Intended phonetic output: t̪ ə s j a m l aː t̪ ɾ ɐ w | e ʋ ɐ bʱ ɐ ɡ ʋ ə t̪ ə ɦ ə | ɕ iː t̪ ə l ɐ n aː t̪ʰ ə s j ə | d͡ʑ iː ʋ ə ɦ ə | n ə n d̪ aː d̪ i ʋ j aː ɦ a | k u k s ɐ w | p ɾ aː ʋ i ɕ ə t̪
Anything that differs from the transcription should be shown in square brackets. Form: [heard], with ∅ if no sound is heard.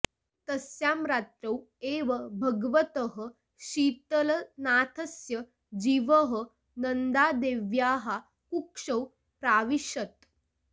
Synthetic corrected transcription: t̪ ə s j a m [ɾ] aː t̪ ɾ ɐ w | e ʋ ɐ bʱ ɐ ɡ ʋ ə t̪ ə ɦ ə | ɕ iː t̪ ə l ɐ n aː t̪ʰ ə s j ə | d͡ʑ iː ʋ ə ɦ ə | n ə n d̪ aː d̪ [e] ʋ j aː ɦ a | k u k [ʂ] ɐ w | p ɾ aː ʋ i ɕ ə t̪